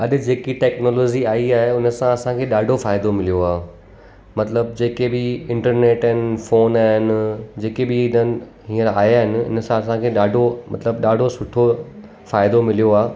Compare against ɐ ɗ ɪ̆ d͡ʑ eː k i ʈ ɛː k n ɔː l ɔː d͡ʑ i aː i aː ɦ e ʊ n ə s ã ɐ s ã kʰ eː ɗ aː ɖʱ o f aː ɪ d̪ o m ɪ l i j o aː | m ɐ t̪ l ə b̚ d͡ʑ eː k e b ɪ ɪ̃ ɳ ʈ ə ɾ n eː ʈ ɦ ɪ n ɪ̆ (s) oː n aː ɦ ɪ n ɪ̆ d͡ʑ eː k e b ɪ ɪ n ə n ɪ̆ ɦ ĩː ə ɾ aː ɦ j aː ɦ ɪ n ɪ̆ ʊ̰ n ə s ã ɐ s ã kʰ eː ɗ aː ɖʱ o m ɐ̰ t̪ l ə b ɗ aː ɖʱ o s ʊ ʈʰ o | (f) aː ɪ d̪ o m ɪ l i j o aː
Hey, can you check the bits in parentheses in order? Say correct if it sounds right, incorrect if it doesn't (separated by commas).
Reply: incorrect, correct